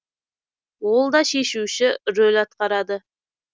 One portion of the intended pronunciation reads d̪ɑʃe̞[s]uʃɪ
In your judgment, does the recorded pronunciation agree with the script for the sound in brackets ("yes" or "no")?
no